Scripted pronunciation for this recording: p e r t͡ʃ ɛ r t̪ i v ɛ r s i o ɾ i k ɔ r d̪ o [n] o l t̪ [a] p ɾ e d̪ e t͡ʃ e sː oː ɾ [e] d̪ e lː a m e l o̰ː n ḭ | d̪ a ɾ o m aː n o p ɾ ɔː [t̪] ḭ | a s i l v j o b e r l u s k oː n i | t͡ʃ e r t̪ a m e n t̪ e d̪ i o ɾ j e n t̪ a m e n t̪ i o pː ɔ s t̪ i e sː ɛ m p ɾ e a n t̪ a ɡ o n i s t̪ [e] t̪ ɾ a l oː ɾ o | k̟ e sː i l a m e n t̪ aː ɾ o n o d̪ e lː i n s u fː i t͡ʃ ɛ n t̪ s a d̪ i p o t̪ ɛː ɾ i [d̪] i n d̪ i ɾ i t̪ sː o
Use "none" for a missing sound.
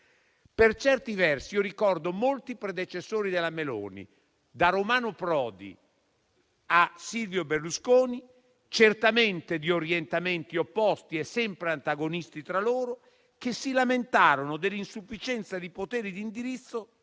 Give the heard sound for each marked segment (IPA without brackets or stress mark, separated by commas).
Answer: m, i, i, d̪, i, d̪